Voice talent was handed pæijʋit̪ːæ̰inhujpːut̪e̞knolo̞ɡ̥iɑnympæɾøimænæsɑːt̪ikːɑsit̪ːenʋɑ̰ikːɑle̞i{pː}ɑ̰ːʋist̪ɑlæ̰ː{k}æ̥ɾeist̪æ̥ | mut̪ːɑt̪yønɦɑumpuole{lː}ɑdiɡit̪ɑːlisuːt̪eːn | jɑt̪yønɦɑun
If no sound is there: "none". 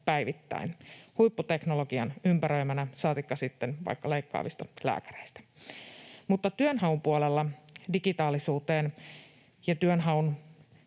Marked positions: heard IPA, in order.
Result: kː, k, lː

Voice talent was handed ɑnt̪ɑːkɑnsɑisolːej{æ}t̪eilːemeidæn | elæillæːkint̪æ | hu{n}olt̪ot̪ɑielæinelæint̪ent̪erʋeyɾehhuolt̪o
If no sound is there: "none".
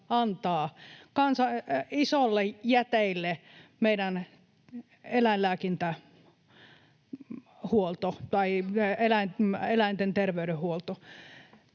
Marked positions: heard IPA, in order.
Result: æ, none

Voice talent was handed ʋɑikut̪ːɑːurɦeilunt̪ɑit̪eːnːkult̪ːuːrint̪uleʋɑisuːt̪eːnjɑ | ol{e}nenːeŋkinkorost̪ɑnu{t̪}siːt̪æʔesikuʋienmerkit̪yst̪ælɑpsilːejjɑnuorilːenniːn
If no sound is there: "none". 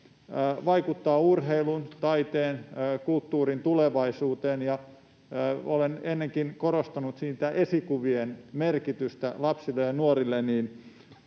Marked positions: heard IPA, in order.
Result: e, t̪

